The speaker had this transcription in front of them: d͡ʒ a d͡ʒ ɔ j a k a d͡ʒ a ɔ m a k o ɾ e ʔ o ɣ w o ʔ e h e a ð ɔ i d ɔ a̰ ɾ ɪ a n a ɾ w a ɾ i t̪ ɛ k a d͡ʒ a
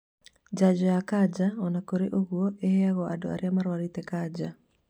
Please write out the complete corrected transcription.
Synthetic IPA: d͡ʒ a d͡ʒ ɔ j a k a d͡ʒ a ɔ n a k o ɾ e ʔ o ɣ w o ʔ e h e a ɣ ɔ a d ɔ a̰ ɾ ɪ a m a ɾ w a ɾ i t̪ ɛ k a d͡ʒ a